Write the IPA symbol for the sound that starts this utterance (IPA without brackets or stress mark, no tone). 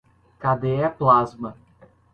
k